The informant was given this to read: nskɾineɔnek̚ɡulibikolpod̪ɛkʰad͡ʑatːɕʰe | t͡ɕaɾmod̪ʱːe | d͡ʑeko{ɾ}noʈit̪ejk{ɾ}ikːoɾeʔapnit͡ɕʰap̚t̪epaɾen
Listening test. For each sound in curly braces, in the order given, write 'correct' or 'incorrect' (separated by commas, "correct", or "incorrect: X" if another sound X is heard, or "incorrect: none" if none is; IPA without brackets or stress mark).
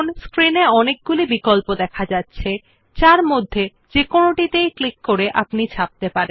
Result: incorrect: none, incorrect: l